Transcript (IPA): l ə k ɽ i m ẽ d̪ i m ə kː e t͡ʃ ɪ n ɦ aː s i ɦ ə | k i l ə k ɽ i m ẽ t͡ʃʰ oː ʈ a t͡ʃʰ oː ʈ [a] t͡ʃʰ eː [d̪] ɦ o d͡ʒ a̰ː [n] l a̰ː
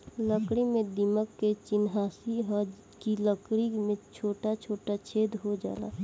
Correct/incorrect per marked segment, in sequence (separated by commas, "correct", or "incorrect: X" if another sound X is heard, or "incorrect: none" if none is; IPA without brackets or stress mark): correct, correct, incorrect: none